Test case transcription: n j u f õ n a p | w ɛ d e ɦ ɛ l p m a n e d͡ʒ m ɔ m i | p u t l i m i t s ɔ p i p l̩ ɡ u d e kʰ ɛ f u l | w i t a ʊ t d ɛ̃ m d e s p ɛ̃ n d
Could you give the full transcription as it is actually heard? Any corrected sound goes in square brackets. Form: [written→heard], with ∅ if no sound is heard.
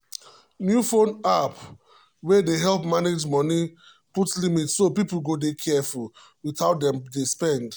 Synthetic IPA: n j u f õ n a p | w ɛ d e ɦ ɛ l p m a n e d͡ʒ m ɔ [m→n] i | p u t l i m i t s [ɔ→o] p i p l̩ ɡ [u→o] d e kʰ ɛ f u l | w i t a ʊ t d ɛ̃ m d e s p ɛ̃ n d